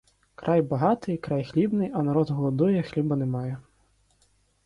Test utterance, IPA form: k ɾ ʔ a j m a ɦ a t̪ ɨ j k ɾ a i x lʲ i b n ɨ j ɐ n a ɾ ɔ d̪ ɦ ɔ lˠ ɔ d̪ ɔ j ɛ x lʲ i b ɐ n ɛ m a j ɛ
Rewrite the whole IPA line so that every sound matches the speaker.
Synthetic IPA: k ɾ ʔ a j b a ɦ a t̪ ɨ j k ɾ a j x lʲ i b n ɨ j ɐ n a ɾ ɔ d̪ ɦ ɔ lˠ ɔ d̪ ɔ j ɛ x lʲ i b ɐ n ɛ m a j ɛ